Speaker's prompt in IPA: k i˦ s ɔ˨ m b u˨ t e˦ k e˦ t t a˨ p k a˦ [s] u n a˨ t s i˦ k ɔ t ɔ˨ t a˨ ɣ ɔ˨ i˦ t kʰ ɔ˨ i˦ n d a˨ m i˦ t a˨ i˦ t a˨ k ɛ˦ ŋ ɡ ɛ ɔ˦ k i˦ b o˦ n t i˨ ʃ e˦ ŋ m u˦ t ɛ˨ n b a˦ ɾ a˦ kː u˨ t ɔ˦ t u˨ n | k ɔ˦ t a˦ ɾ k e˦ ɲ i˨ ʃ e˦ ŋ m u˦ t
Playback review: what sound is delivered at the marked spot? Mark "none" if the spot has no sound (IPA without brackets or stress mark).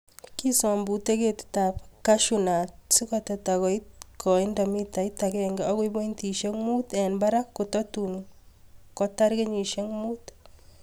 ʃ